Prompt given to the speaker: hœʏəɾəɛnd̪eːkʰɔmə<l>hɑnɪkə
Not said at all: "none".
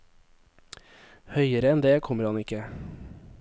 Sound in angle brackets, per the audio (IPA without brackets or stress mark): ɾ